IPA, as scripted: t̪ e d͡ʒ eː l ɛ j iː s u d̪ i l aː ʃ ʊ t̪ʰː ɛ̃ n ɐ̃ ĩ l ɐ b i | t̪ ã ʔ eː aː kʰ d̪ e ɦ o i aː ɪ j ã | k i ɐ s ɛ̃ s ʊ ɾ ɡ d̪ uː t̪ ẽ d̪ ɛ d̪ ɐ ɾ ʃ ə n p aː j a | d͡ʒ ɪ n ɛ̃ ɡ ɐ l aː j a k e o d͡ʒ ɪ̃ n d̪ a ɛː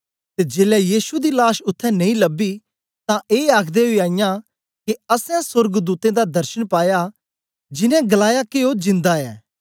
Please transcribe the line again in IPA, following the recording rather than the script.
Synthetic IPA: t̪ e d͡ʒ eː l ɛ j iː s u d̪ i l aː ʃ ʊ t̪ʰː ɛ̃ n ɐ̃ ĩ l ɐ b i | t̪ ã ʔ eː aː kʰ d̪ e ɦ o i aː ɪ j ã | k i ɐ s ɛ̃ s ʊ ɾ ɡ d̪ uː t̪ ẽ d̪ a d̪ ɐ ɾ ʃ ə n p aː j a | d͡ʒ ɪ n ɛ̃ ɡ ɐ l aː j a k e o d͡ʒ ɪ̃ n d̪ a ɛː